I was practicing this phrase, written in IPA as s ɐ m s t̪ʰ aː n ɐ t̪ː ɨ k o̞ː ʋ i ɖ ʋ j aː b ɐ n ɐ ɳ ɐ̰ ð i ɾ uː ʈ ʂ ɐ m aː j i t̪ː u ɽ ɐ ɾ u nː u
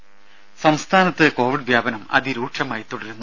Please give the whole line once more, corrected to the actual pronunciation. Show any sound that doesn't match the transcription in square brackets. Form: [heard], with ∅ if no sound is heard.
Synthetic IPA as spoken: s ɐ m s t̪ʰ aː n ɐ t̪ː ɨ k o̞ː ʋ i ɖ ʋ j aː b ɐ n ɐ [m] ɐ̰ ð i ɾ uː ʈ ʂ ɐ m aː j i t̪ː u ɽ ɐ ɾ u nː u

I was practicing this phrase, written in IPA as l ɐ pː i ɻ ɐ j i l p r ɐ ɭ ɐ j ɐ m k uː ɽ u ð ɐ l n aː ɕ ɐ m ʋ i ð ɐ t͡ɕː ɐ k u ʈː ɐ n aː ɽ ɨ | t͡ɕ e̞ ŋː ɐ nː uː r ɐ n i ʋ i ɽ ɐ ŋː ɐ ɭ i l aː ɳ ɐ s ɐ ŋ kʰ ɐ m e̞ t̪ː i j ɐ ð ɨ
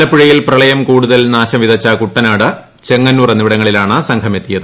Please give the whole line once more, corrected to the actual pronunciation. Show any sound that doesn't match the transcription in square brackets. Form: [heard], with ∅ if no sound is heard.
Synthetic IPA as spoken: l ɐ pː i ɻ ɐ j i l p r ɐ ɭ ɐ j ɐ m k uː ɽ u ð ɐ l n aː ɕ ɐ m ʋ i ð ɐ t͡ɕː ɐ k u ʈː ɐ n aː ɽ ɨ | t͡ɕ e̞ ŋː ɐ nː uː r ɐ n i ʋ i ɽ ɐ ŋː ɐ ɭ i l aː ɳ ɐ s ɐ ŋ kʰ ɐ m e̞ t̪ː i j ɐ ð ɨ

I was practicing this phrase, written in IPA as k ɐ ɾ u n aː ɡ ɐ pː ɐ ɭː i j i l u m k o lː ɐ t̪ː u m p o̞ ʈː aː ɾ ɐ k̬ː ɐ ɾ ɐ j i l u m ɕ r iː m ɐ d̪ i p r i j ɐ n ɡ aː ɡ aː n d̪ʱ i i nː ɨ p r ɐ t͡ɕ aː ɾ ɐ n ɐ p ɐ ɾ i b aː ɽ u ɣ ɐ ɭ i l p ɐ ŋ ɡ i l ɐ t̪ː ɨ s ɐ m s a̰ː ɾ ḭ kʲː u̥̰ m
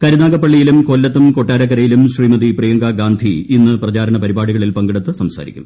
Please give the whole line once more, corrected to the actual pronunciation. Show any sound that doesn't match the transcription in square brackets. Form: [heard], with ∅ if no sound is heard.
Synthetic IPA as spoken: k ɐ ɾ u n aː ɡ ɐ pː ɐ ɭː i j i l u m k o lː ɐ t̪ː u m [k] o̞ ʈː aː ɾ ɐ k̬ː ɐ ɾ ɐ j i l u m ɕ r iː m ɐ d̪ i p r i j ɐ [ŋ] ɡ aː ɡ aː n d̪ʱ i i nː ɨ p r ɐ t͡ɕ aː ɾ ɐ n ɐ p ɐ ɾ i b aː ɽ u ɣ ɐ ɭ i l p ɐ ŋ ɡ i [ɽ] ɐ t̪ː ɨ s ɐ m s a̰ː ɾ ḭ kʲː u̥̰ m

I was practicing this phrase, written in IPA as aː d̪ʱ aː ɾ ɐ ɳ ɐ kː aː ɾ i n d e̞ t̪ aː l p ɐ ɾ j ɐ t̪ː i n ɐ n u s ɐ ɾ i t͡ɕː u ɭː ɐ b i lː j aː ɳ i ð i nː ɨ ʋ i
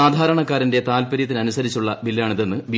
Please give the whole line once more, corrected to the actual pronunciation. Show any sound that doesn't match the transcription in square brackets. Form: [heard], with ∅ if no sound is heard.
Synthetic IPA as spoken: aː d̪ʱ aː ɾ ɐ ɳ ɐ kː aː ɾ i n d e̞ t̪ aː l p ɐ ɾ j ɐ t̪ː i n ɐ n u s ɐ ɾ i t͡ɕː u ɭː ɐ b i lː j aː ɳ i ð [e] nː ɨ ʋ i

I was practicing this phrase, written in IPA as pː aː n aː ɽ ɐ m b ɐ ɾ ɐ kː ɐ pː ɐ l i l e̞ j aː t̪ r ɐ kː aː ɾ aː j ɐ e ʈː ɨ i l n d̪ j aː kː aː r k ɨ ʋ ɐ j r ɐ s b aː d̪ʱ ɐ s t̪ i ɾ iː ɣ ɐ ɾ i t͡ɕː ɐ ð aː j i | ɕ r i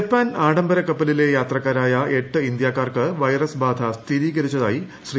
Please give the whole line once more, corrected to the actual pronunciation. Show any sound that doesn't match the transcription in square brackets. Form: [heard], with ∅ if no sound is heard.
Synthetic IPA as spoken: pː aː n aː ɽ ɐ m b ɐ ɾ ɐ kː ɐ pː ɐ l i l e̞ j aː t̪ r ɐ kː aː ɾ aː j ɐ e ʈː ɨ i [∅] n d̪ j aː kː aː r k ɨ ʋ ɐ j r ɐ s b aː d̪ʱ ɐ s t̪ i ɾ iː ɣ ɐ ɾ i t͡ɕː ɐ ð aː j i | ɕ r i

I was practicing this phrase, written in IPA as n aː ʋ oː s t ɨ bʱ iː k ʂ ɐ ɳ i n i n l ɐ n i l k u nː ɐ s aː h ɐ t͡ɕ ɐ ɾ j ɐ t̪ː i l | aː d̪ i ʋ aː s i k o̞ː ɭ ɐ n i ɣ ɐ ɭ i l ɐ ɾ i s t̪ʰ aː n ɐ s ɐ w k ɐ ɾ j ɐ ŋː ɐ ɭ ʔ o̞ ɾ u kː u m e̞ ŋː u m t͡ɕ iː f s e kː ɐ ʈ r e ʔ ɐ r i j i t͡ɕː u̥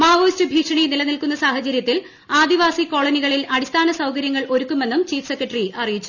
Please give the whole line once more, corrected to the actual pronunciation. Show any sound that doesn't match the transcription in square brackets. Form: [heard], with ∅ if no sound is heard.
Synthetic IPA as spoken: [m] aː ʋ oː s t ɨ bʱ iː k ʂ ɐ ɳ i n i [∅] l ɐ n i l k u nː ɐ s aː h ɐ t͡ɕ ɐ ɾ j ɐ t̪ː i l | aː d̪ i ʋ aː s i k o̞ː ɭ ɐ n i ɣ ɐ ɭ i l ɐ [ɽ] i s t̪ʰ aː n ɐ s ɐ w k ɐ ɾ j ɐ ŋː ɐ ɭ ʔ o̞ ɾ u kː u m e̞ [nː] u m t͡ɕ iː f s e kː ɐ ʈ r [i] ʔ ɐ r i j i t͡ɕː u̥

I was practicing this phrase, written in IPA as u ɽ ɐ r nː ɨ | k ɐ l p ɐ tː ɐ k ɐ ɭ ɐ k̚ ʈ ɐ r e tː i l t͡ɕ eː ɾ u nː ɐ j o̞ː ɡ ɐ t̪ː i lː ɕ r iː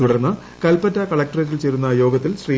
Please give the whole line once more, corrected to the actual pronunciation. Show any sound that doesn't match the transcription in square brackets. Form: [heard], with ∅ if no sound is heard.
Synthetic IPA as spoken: u ɽ ɐ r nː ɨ | k ɐ l p ɐ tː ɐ k ɐ ɭ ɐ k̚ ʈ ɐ r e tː i l t͡ɕ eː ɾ u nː ɐ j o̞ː ɡ ɐ t̪ː i [l] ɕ r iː

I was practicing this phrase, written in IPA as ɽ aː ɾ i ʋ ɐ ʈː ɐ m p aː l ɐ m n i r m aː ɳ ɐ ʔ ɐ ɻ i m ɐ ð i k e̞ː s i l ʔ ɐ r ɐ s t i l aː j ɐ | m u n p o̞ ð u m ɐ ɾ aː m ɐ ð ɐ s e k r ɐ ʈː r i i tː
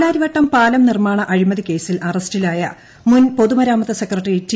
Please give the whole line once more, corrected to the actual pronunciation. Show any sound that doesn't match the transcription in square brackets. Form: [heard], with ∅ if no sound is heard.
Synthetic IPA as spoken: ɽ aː ɾ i ʋ ɐ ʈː ɐ m p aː l ɐ m n i r m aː ɳ ɐ ʔ ɐ ɻ i m ɐ ð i k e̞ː s i l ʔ ɐ r ɐ s t i l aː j ɐ | m u n p o̞ ð u m ɐ ɾ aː m ɐ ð ɐ s e k r ɐ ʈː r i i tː

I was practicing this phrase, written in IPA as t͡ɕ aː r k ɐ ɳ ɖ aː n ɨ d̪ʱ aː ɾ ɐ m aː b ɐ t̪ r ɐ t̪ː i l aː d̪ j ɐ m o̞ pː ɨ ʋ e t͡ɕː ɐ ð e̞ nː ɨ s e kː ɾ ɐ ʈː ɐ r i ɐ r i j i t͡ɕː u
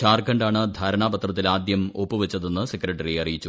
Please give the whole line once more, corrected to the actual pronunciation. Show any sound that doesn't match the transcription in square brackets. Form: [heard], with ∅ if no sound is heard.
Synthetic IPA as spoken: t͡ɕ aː r k ɐ ɳ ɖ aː [ɳ] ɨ d̪ʱ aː ɾ ɐ [ɳ] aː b ɐ t̪ r ɐ t̪ː i l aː d̪ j ɐ m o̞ pː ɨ ʋ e t͡ɕː ɐ ð e̞ nː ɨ s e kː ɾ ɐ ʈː ɐ r i ɐ r i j i t͡ɕː u

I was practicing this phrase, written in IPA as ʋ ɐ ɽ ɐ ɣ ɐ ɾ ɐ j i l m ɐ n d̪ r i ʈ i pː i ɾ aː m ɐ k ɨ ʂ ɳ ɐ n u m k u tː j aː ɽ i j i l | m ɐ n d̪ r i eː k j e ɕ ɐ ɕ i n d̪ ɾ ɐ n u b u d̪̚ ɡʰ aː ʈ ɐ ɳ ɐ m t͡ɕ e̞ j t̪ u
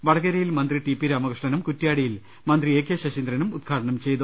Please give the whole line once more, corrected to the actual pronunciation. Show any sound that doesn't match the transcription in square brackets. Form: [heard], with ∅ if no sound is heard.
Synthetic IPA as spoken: ʋ ɐ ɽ ɐ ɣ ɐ ɾ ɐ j i l m ɐ n d̪ r i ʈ i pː i ɾ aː m ɐ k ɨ ʂ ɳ ɐ n u m k u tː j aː ɽ i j i l | m ɐ n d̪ r i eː k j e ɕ ɐ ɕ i n d̪ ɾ ɐ n u [m] u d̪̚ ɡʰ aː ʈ ɐ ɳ ɐ m t͡ɕ e̞ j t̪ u

